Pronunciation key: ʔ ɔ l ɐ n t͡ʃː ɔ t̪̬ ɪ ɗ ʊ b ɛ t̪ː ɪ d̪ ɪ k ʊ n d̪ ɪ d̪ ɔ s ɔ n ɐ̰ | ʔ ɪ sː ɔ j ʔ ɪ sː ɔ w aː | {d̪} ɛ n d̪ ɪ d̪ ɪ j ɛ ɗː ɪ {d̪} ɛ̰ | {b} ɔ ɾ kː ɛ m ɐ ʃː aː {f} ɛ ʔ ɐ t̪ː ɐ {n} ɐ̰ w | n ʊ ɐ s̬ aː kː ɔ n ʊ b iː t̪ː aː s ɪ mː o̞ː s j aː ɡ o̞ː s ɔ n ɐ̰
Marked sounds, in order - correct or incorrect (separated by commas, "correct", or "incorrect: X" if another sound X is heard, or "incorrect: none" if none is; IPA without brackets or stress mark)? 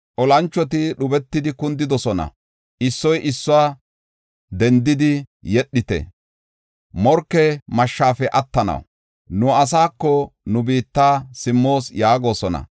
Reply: correct, incorrect: t̪, incorrect: m, correct, correct